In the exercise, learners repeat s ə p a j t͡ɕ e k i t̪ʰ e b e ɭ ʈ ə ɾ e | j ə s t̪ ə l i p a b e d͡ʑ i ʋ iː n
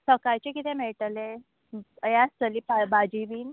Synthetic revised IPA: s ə k a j t͡ɕ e k i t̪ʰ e m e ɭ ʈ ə l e | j a s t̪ ə l i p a b a d͡ʑ i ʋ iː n